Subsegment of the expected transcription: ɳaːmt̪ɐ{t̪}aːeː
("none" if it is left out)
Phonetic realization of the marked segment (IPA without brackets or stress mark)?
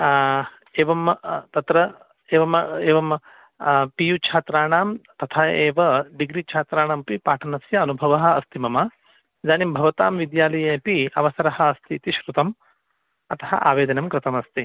t̪ʰ